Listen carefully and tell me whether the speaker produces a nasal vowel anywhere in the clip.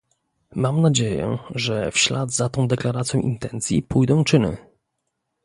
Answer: yes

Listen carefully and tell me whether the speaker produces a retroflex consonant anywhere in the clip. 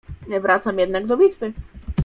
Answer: no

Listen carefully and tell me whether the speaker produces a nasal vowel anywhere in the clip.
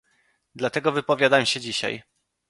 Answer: no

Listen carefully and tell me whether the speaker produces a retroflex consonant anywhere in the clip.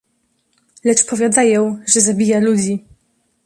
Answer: yes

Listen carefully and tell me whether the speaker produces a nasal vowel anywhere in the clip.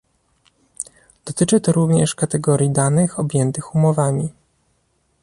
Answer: no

